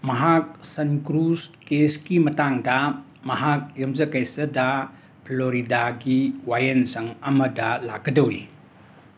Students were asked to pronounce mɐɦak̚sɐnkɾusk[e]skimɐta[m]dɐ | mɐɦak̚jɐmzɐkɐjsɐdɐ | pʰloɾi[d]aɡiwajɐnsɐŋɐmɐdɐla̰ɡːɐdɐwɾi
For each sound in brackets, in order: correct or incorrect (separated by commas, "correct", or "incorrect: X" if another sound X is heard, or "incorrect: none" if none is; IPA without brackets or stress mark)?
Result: correct, incorrect: ŋ, correct